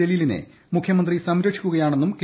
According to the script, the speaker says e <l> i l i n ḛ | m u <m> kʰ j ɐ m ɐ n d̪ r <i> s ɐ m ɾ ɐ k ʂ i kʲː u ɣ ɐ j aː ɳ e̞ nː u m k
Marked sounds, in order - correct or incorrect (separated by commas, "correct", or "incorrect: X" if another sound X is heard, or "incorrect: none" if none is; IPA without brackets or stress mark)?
correct, incorrect: none, correct